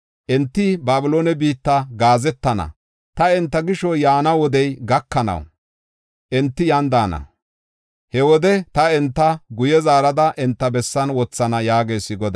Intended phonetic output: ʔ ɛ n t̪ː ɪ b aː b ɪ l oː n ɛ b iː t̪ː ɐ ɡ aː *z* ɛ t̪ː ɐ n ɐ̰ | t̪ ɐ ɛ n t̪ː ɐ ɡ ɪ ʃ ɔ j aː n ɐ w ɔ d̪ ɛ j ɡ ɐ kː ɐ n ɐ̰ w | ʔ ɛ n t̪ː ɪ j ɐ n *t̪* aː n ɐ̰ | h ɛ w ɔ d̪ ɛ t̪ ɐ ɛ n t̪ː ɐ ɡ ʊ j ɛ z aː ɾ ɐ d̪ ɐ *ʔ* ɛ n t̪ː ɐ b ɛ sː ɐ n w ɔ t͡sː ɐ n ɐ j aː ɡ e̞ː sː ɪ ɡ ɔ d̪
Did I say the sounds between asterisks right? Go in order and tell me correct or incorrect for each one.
correct, incorrect, correct

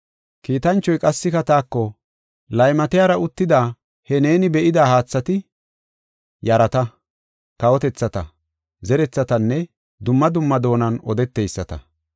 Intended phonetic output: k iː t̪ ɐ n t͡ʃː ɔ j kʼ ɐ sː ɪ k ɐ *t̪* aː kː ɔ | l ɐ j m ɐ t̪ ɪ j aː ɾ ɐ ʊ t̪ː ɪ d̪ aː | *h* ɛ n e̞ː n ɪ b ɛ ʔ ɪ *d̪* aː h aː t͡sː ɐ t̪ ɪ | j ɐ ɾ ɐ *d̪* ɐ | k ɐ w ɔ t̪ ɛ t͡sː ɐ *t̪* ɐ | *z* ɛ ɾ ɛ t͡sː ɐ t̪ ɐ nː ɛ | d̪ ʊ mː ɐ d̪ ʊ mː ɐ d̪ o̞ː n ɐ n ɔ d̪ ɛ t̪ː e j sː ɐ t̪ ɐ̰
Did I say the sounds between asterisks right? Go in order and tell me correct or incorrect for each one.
correct, correct, correct, incorrect, correct, correct

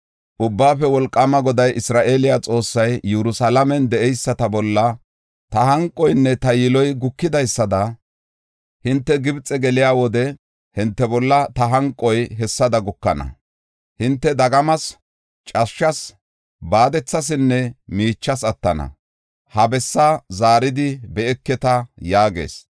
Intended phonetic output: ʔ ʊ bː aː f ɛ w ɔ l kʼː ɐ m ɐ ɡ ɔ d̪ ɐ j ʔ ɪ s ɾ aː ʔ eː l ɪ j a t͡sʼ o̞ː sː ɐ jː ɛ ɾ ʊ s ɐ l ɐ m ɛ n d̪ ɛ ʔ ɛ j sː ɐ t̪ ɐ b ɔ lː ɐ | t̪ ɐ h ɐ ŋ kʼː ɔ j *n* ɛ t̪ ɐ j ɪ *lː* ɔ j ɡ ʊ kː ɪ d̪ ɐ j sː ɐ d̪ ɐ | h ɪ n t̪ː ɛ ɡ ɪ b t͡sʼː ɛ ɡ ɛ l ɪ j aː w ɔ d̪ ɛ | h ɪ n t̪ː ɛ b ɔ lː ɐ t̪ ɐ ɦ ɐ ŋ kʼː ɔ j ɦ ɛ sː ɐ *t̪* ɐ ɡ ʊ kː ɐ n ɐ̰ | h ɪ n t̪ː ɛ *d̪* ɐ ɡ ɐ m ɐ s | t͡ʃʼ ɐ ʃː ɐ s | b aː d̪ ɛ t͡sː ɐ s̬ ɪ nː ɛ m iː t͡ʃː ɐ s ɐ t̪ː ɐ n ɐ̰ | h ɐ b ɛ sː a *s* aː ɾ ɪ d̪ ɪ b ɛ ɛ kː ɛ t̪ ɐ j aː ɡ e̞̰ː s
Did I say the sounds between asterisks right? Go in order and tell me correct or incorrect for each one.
incorrect, incorrect, incorrect, correct, incorrect

